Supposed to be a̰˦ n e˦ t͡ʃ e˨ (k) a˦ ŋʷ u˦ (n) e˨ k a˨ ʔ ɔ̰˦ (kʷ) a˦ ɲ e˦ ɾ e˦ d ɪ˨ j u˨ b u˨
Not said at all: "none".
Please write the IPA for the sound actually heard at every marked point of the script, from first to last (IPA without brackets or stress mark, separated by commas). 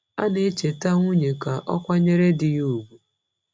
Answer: t, ɲ, kʷ